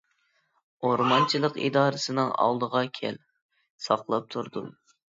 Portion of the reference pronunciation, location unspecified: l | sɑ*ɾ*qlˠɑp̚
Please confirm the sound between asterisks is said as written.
no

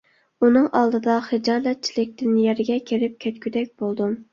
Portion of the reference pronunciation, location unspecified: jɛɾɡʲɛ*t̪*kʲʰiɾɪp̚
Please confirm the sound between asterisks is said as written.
no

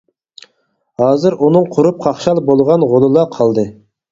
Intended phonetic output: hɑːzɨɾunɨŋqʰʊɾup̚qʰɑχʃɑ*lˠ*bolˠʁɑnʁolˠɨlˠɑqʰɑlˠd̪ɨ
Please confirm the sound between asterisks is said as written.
yes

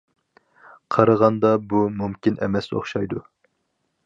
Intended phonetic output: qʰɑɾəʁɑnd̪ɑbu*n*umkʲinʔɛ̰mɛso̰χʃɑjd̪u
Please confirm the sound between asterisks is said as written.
no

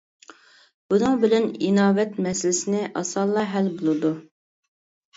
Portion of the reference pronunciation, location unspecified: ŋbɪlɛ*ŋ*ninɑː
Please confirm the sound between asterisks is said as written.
no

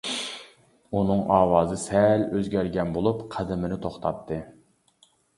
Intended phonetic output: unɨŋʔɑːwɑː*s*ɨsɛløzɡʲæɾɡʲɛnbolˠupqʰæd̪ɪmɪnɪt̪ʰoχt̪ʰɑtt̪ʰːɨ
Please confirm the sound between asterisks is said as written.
no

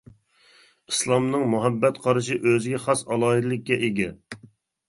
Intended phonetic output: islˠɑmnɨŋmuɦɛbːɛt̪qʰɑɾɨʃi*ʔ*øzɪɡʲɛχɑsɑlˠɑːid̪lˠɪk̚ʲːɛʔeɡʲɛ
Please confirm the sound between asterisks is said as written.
yes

